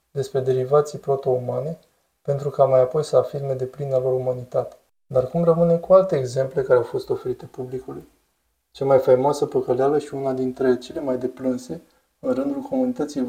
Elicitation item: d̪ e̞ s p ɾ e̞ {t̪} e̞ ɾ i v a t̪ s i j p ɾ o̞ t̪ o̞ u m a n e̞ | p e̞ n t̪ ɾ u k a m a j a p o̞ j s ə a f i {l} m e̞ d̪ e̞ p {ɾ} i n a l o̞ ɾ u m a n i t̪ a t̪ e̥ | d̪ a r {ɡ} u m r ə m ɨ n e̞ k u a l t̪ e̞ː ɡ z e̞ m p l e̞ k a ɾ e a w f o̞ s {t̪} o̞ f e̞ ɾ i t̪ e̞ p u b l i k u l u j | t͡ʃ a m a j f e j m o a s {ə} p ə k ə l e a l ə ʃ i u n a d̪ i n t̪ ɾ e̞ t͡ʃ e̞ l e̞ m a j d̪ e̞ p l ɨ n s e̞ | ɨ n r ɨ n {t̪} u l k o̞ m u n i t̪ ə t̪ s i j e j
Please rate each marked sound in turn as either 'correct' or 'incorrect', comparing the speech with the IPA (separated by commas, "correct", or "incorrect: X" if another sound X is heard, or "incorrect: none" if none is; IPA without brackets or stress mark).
incorrect: d̪, incorrect: r, incorrect: l, incorrect: k, correct, correct, incorrect: d̪